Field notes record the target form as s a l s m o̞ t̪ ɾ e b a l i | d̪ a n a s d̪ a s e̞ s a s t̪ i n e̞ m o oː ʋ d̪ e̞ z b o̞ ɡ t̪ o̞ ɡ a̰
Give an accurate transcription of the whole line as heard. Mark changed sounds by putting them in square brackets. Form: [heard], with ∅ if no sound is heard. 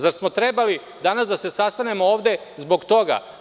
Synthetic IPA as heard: [z] a [ɾ] s m o̞ t̪ ɾ e b a l i | d̪ a n a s d̪ a s e̞ s a s t̪ [a] n e̞ m o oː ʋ d̪ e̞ z b o̞ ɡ t̪ o̞ ɡ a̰